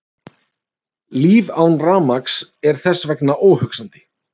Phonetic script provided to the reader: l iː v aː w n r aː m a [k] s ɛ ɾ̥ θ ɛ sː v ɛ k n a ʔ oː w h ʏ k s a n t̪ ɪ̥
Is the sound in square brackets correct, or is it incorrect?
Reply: correct